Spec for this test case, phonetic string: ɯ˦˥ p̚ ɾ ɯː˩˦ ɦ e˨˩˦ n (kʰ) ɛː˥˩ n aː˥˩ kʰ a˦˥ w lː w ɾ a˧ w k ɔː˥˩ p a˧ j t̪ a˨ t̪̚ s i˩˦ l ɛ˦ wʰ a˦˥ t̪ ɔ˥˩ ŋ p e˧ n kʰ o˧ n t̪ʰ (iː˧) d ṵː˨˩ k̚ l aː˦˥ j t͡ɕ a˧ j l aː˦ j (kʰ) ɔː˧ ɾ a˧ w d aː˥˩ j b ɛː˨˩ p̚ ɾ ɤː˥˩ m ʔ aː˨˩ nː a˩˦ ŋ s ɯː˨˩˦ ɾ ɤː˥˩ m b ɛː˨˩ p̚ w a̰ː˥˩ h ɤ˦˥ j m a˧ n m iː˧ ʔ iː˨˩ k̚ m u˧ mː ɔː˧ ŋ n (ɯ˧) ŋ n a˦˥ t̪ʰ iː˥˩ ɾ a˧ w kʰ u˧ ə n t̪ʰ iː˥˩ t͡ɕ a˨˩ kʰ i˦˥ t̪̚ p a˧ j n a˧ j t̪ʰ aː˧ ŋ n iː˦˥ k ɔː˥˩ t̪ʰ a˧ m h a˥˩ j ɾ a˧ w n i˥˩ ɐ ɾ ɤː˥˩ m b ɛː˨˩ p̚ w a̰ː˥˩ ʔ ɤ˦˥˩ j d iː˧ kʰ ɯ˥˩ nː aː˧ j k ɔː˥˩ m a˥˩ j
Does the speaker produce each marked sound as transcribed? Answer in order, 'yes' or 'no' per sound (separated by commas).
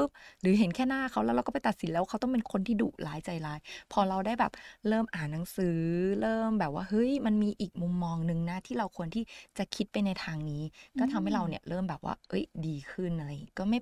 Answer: yes, no, no, yes